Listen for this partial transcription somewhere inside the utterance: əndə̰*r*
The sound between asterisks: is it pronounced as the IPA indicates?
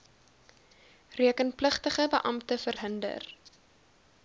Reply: yes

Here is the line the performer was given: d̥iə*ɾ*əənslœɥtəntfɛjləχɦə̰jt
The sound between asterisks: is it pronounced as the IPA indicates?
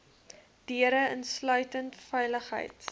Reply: yes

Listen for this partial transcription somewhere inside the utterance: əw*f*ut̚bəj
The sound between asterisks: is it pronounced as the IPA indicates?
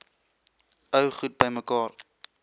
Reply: no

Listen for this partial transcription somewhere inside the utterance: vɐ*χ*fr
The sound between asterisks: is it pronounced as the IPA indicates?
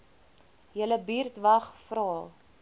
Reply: yes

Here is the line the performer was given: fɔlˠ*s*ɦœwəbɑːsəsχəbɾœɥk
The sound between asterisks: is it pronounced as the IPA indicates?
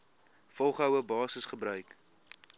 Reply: no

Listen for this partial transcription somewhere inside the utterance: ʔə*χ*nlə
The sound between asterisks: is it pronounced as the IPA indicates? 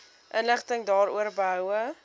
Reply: no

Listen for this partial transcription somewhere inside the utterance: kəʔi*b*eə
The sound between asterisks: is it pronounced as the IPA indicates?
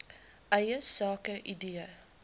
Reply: no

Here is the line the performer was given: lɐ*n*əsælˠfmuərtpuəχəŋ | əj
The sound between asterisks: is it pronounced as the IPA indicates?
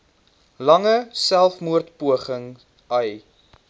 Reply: no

